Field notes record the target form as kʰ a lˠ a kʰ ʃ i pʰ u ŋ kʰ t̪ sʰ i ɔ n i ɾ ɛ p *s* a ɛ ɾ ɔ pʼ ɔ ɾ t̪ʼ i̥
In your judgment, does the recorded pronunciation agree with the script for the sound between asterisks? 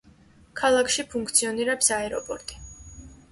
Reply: yes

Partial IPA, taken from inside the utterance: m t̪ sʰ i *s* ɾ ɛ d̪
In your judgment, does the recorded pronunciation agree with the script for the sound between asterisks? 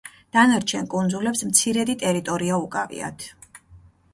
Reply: no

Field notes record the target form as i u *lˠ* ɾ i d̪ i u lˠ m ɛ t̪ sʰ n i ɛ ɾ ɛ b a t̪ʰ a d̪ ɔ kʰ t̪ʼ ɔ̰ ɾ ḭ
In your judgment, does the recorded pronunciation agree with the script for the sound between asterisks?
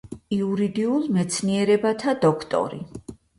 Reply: no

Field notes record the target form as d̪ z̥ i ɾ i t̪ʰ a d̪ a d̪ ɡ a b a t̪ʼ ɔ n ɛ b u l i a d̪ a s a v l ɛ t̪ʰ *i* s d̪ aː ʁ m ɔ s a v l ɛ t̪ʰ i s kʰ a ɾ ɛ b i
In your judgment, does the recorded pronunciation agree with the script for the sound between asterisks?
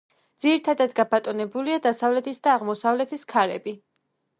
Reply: yes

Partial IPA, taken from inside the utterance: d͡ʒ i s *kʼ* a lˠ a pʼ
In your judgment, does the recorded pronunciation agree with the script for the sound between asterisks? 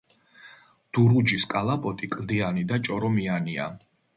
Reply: yes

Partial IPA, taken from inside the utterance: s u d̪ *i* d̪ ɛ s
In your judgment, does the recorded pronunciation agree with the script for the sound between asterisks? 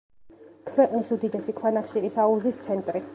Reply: yes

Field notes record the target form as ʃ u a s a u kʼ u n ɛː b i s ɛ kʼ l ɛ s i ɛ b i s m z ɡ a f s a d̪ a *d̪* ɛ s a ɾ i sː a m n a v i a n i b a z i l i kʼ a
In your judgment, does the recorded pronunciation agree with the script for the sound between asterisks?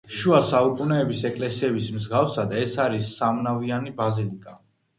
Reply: no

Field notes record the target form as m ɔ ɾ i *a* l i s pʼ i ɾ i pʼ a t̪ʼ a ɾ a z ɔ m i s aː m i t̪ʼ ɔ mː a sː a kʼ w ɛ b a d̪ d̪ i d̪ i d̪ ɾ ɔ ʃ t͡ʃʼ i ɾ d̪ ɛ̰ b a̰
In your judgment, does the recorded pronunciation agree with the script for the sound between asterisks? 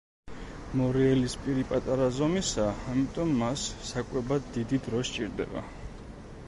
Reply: no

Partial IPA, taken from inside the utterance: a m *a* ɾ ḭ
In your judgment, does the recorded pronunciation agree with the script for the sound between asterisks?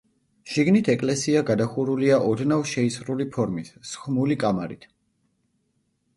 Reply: yes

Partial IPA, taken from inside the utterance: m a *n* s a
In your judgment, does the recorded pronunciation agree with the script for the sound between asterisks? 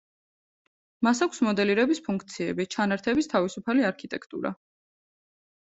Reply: no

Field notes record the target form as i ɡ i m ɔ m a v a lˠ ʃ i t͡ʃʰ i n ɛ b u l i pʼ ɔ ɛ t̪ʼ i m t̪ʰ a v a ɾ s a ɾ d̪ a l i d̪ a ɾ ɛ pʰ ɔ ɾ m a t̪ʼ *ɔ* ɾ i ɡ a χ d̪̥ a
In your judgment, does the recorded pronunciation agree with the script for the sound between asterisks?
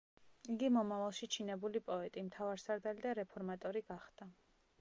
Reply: yes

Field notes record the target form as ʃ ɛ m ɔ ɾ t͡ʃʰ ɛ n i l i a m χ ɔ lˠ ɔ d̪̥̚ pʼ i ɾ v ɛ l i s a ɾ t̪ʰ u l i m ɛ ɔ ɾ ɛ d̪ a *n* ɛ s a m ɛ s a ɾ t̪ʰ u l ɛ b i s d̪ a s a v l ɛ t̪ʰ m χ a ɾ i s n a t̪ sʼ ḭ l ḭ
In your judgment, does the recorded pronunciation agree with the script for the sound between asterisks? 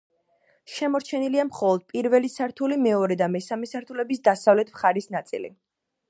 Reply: no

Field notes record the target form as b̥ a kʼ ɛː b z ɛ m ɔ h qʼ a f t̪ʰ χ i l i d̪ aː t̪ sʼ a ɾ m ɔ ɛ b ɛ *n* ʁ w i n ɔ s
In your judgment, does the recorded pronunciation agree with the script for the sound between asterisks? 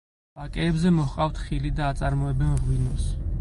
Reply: yes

